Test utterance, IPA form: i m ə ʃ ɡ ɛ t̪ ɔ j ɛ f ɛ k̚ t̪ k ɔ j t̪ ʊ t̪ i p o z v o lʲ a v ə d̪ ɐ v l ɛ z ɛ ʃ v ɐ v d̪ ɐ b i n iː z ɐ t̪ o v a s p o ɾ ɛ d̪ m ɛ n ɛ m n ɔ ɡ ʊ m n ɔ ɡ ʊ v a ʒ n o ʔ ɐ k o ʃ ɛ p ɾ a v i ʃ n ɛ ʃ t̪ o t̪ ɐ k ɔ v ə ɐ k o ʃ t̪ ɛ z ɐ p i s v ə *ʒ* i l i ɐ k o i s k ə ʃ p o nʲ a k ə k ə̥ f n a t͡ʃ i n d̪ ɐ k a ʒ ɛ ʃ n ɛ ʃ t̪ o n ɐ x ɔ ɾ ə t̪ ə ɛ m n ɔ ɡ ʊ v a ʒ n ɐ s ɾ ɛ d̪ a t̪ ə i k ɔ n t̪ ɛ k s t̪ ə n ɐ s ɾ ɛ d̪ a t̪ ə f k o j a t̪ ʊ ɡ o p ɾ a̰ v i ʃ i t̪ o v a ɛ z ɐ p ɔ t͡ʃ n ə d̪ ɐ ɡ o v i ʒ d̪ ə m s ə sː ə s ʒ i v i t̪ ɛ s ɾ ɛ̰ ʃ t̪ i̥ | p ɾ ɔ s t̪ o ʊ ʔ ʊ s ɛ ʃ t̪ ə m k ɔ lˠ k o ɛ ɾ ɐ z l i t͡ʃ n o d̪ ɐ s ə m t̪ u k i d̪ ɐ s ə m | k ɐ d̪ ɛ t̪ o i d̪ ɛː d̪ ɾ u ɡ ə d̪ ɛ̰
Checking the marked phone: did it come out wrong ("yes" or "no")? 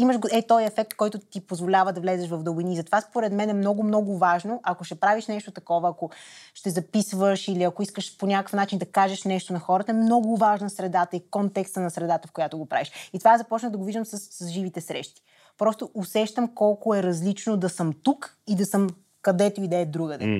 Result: yes